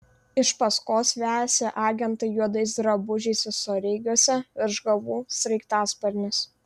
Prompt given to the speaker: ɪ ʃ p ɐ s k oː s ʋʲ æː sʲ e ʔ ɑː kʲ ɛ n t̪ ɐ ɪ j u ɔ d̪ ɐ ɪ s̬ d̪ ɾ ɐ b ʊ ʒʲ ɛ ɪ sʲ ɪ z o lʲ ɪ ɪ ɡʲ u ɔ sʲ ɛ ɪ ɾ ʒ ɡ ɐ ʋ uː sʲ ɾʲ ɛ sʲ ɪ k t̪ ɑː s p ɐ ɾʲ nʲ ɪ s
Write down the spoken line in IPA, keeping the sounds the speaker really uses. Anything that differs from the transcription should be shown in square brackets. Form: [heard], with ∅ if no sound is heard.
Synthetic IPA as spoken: ɪ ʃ p ɐ s k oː s ʋʲ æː sʲ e ʔ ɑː [ɡʲ] ɛ n t̪ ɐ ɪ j u ɔ d̪ ɐ ɪ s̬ d̪ ɾ ɐ b ʊ ʒʲ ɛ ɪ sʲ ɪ [s] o [ɾʲ] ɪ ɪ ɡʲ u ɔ sʲ ɛ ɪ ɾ ʒ ɡ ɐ ʋ uː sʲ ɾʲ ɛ [∅] ɪ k t̪ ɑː s p ɐ ɾʲ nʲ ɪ s